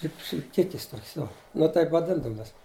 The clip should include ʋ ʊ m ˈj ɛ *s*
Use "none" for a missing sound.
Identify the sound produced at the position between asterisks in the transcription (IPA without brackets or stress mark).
s